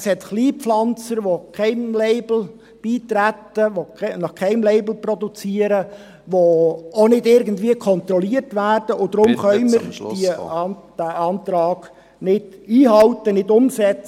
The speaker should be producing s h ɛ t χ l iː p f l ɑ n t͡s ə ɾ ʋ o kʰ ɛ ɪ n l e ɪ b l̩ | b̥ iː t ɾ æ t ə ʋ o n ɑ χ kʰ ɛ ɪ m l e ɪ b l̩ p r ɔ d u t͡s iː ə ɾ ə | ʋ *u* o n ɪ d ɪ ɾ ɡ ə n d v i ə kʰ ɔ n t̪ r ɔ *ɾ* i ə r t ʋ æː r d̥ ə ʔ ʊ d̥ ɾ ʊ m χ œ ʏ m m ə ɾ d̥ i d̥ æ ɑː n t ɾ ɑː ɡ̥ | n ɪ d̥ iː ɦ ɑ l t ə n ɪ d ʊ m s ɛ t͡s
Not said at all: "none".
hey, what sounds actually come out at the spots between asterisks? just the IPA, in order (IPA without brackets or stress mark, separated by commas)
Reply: o, l